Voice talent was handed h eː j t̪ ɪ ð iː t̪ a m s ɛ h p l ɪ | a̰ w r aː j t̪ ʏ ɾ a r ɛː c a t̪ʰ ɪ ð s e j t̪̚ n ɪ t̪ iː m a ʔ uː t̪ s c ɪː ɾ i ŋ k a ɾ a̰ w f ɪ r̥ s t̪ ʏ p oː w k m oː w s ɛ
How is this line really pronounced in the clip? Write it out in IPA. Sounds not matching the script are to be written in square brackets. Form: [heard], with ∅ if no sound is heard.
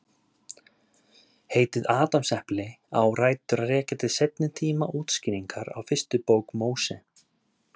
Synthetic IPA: h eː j t̪ ɪ ð [aː] t̪ a m s ɛ h p l ɪ | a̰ w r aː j t̪ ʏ ɾ a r ɛː c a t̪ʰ ɪ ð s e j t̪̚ n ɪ [t̪ʰ] iː m a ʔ uː t̪ s c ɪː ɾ i ŋ k a ɾ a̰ w f ɪ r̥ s t̪ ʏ p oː w k m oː w s ɛ